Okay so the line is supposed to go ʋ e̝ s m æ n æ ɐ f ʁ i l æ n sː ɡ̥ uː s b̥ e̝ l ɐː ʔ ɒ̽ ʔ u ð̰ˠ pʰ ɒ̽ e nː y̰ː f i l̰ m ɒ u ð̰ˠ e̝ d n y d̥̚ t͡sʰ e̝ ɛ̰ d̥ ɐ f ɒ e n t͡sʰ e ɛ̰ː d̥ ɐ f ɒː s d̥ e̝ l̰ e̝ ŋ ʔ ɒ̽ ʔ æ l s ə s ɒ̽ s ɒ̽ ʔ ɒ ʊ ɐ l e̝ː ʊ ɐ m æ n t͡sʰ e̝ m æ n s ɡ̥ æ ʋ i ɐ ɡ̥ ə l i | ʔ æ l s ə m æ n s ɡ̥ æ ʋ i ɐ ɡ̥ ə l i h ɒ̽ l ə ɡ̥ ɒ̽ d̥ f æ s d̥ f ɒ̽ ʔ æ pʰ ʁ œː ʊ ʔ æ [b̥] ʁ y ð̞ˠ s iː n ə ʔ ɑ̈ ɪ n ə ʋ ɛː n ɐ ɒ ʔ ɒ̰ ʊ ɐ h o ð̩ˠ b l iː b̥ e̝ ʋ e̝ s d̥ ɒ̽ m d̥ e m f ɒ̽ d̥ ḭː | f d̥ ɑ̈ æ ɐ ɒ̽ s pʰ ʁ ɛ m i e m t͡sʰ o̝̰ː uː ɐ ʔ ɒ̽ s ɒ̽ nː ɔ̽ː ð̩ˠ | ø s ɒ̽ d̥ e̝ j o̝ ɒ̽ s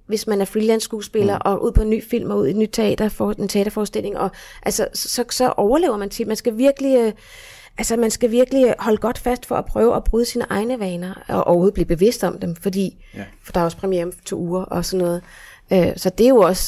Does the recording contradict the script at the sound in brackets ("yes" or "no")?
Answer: no